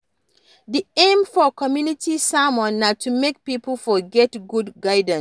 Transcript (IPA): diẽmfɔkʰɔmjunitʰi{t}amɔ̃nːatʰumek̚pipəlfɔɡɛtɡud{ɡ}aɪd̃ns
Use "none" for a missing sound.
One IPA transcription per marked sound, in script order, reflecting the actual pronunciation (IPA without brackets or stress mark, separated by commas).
s, ɡ